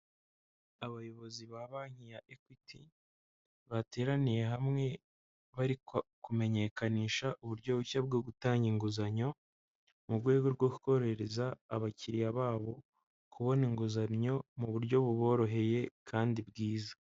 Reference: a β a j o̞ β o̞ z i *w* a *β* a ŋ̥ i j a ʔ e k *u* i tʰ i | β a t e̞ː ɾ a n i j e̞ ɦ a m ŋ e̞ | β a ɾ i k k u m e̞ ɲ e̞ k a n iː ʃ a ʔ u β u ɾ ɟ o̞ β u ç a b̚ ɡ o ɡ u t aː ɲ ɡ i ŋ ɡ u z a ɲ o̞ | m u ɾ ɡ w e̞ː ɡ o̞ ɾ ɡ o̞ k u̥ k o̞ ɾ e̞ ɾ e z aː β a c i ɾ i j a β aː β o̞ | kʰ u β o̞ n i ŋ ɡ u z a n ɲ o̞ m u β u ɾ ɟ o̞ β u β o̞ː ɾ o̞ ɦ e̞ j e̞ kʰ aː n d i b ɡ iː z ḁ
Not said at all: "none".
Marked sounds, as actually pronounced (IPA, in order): β, β, w

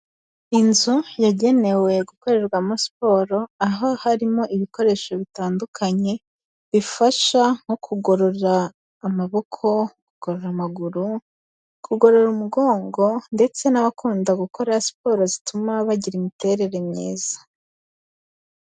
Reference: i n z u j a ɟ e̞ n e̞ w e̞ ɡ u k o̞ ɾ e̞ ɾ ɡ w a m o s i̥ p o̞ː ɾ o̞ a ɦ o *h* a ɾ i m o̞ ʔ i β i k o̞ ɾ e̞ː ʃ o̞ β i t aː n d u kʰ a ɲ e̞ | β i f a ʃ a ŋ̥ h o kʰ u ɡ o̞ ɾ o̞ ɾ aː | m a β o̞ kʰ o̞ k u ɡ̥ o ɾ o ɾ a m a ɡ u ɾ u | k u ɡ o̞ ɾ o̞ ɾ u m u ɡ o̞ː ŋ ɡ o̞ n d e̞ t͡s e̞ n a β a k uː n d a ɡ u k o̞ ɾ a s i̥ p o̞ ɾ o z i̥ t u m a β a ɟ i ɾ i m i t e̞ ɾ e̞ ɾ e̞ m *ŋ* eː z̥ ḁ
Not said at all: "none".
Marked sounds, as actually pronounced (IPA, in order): h, ɲ

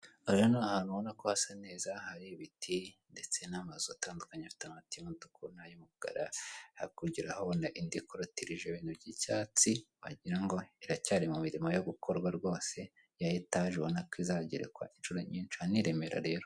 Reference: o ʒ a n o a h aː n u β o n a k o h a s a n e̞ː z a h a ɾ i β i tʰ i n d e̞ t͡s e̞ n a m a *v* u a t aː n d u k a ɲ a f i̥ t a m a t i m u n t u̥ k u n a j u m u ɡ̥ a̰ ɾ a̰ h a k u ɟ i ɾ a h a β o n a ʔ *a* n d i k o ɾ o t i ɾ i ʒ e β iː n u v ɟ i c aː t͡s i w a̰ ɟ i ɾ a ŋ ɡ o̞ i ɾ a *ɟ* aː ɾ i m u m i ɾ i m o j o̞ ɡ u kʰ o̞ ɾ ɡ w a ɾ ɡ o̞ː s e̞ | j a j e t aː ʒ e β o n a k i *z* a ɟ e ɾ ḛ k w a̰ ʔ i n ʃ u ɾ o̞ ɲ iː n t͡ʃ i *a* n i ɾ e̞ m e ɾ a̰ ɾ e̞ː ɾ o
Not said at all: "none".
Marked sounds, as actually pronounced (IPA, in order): z, i, c, z, a

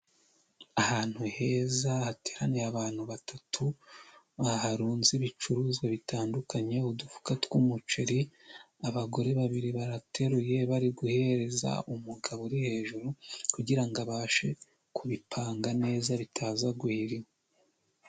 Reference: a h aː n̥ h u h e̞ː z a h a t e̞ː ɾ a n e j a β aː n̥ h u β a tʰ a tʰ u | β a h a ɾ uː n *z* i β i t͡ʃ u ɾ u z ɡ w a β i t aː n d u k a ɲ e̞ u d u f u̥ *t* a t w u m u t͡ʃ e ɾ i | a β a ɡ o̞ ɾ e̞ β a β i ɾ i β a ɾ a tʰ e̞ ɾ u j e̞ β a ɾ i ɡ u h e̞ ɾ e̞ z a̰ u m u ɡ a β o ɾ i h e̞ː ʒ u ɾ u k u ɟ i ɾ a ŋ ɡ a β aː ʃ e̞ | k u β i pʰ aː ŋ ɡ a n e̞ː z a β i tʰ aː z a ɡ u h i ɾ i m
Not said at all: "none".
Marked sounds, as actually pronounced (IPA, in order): z, k

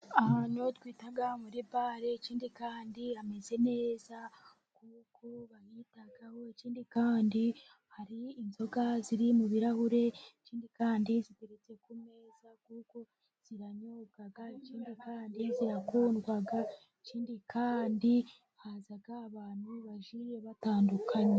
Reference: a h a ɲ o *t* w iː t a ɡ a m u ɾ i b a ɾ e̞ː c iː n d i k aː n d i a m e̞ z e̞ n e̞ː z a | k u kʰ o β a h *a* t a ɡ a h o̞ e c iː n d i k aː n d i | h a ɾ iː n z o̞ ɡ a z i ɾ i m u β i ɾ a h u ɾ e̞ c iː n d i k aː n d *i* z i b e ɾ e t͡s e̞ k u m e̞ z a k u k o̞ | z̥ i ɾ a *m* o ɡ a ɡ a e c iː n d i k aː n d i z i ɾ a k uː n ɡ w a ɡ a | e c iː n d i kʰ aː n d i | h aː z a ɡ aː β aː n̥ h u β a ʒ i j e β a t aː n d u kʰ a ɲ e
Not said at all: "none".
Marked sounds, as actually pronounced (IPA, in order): t, i, i, ɲ

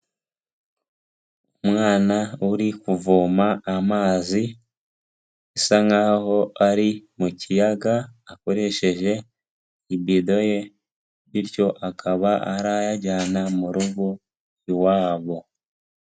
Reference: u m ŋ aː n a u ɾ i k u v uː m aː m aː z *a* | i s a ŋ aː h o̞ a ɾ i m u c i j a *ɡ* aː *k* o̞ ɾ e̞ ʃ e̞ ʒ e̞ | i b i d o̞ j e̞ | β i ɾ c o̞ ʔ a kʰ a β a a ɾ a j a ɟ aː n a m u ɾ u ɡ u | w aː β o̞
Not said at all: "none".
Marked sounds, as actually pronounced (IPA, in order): i, ɡ, k

